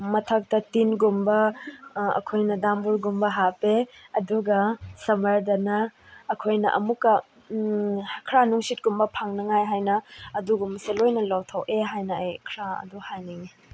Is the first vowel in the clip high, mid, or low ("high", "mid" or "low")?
low